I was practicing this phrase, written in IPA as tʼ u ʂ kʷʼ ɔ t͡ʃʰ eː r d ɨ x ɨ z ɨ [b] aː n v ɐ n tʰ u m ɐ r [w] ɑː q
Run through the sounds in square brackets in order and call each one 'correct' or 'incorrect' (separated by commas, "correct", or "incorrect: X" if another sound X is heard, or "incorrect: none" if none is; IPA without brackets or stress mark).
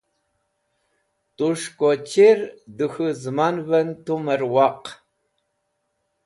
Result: incorrect: m, correct